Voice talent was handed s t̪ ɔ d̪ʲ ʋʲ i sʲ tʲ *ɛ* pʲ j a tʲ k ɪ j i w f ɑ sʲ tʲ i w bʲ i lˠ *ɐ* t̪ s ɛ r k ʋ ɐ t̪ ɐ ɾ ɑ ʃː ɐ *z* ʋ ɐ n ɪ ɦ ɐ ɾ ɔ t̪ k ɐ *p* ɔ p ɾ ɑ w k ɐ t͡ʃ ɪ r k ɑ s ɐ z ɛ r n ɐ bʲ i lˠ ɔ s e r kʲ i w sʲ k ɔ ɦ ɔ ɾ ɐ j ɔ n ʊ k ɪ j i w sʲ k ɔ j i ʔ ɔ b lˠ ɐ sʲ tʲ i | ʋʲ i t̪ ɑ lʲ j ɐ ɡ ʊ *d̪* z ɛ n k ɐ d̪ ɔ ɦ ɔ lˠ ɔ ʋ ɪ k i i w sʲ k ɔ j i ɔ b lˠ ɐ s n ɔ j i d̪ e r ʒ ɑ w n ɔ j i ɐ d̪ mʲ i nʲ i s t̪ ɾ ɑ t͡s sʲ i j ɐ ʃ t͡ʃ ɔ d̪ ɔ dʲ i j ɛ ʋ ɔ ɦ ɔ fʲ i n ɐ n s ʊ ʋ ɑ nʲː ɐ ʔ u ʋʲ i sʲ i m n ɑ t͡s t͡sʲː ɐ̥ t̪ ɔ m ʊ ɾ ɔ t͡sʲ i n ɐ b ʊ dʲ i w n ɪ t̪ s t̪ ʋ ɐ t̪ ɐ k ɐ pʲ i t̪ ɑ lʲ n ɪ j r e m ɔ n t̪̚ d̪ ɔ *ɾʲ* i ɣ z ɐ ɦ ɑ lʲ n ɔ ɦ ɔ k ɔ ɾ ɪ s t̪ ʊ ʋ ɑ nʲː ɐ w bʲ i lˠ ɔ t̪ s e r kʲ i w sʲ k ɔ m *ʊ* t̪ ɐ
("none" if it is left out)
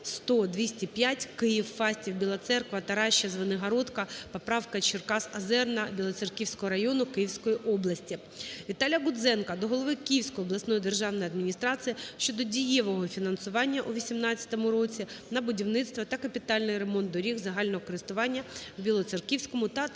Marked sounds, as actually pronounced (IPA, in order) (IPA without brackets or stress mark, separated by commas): i, ɐ, z, p, d̪, ɾʲ, ʊ